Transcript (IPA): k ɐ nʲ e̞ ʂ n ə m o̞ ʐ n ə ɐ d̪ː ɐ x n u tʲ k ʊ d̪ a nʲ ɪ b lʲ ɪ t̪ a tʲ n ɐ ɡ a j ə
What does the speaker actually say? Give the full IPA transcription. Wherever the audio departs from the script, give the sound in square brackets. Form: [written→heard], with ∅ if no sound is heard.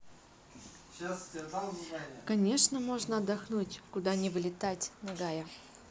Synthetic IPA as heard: k ɐ nʲ e̞ ʂ n ə m o̞ ʐ n ə ɐ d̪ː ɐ x n u tʲ k ʊ d̪ a nʲ ɪ [b→v] lʲ ɪ t̪ a tʲ n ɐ ɡ a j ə